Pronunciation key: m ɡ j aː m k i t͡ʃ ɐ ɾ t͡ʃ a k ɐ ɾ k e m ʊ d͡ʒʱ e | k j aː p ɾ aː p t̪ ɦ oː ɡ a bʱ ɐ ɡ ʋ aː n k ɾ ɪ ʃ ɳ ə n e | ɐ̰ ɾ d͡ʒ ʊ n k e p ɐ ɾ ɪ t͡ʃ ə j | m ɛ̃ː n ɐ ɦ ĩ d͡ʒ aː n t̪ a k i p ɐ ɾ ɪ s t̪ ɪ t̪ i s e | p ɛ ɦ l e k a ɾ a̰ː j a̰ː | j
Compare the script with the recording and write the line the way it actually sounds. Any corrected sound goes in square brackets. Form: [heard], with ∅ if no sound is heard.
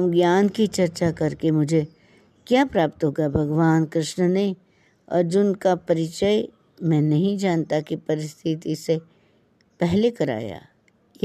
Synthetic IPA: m ɡ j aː [n] k i t͡ʃ ɐ ɾ t͡ʃ a k ɐ ɾ k e m ʊ d͡ʒʱ e | k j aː p ɾ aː p t̪ ɦ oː ɡ a bʱ ɐ ɡ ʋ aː n k ɾ ɪ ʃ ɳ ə n e | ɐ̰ ɾ d͡ʒ ʊ n k [a] p ɐ ɾ ɪ t͡ʃ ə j | m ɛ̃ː n ɐ ɦ ĩ d͡ʒ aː n t̪ a k i p ɐ ɾ ɪ s [t̪ʰ] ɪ t̪ i s e | p ɛ ɦ l e k [ɐ] ɾ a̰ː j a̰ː | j